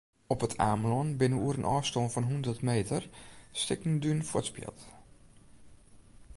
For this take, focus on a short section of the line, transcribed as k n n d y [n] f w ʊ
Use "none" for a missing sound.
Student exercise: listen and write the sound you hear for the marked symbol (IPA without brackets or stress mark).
n